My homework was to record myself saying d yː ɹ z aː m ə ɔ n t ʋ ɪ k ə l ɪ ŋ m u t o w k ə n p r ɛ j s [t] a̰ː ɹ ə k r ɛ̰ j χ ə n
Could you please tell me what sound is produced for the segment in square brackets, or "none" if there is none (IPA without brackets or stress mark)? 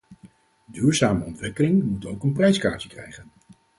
k